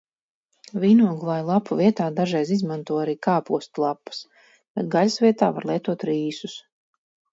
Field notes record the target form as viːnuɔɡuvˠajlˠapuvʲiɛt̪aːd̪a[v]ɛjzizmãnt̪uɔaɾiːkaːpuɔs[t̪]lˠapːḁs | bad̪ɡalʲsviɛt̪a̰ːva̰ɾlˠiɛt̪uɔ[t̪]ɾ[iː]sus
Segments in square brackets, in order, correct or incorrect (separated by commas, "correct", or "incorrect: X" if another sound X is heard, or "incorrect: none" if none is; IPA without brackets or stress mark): incorrect: ʒ, correct, correct, correct